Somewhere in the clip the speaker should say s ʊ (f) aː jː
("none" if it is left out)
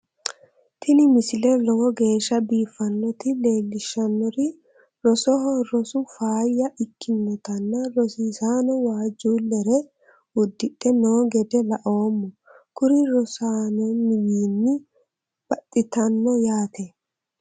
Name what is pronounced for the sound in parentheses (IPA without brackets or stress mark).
f